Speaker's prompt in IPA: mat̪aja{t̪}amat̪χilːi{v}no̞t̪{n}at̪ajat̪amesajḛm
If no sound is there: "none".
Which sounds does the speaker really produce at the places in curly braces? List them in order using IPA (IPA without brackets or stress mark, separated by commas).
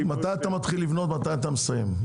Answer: t̪, v, m